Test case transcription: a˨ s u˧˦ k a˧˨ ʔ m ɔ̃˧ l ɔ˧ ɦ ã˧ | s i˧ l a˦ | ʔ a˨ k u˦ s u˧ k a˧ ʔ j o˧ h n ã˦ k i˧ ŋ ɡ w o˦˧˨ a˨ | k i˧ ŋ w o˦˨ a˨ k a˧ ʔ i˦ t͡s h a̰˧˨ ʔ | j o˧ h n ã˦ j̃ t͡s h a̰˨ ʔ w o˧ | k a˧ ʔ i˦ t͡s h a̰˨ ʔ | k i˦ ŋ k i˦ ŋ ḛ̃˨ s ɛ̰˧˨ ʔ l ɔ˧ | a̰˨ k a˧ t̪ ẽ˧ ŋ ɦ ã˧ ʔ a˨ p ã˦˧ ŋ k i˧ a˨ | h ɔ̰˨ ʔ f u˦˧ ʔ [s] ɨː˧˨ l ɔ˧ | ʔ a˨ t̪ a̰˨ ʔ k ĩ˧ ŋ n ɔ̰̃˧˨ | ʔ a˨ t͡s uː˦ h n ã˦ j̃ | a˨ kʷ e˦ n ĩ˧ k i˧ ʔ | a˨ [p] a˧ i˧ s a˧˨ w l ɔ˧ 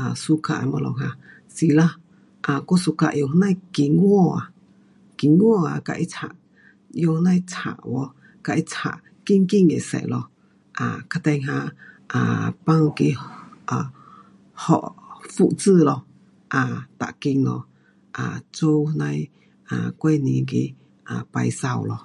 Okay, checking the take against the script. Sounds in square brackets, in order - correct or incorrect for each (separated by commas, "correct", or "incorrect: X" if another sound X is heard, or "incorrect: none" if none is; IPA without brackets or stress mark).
incorrect: t͡s, correct